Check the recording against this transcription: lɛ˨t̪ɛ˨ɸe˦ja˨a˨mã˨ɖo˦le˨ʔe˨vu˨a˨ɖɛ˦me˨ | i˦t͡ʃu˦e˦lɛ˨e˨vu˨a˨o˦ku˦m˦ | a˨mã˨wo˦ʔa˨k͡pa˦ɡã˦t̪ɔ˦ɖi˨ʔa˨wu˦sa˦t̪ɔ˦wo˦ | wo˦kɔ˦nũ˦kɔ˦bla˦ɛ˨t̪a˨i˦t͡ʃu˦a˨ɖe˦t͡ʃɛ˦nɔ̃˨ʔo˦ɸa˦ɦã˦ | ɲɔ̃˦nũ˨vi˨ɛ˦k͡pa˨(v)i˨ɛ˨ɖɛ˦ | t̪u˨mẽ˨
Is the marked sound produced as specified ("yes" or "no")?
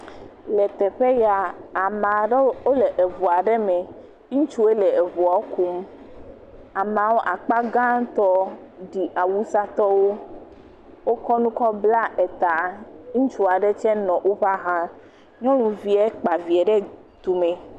yes